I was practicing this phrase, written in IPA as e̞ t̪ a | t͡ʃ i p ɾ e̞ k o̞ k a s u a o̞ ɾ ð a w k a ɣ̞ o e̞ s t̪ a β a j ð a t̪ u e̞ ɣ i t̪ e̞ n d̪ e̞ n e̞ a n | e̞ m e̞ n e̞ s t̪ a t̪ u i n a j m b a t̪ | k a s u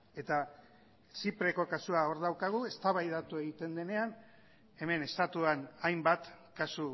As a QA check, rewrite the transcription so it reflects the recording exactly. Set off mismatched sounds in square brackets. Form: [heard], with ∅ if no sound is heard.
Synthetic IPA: e̞ t̪ a | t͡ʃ i p ɾ e̞ k o̞ k a s u a o̞ ɾ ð a w k a ɣ̞ [u] e̞ s t̪ a β a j ð a t̪ u e̞ ɣ i t̪ e̞ n d̪ e̞ n e̞ a n | e̞ m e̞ n e̞ s t̪ a t̪ u [a] n a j m b a t̪ | k a s u